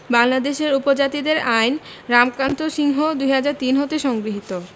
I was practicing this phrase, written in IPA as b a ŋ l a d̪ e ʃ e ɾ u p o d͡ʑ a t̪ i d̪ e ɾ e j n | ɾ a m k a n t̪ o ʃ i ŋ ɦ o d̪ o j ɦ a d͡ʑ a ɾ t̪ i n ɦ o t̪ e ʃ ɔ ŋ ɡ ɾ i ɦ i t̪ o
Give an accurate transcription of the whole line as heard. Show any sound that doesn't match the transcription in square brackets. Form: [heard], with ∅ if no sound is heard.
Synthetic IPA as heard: b a ŋ l a d̪ e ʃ e ɾ u p o d͡ʑ a t̪ i d̪ e ɾ [a] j n | ɾ a m k a n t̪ o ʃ i ŋ ɦ o d̪ [u] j ɦ a d͡ʑ a ɾ t̪ i n ɦ o t̪ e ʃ ɔ ŋ ɡ ɾ i ɦ i t̪ o